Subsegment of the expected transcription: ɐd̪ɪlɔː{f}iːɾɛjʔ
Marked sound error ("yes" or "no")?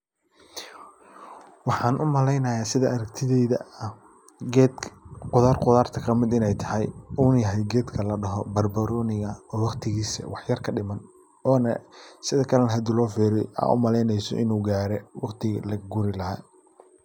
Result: no